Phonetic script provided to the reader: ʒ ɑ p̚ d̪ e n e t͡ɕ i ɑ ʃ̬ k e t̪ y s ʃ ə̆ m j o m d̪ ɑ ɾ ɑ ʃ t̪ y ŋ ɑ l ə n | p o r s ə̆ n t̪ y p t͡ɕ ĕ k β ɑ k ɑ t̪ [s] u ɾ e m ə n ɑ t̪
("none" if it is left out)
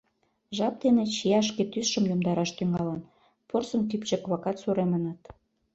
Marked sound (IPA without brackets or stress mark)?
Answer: s